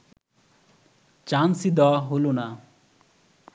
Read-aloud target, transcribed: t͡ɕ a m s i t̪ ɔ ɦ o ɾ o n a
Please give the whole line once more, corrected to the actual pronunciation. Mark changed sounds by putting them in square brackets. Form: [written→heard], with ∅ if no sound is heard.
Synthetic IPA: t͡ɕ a [m→n] s i [t̪→d̪] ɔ ɦ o [ɾ→l] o n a